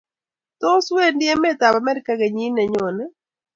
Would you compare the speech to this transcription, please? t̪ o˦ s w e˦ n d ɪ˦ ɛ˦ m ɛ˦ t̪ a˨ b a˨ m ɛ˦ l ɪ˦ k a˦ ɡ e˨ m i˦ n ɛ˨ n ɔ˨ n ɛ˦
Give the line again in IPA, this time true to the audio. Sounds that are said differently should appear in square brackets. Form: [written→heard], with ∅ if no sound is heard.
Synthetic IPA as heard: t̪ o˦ s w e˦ n d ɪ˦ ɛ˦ m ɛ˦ t̪ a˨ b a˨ m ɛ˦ [l→ɾ] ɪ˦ k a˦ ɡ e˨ [m→ɲ] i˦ n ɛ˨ [n→ɲ] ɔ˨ n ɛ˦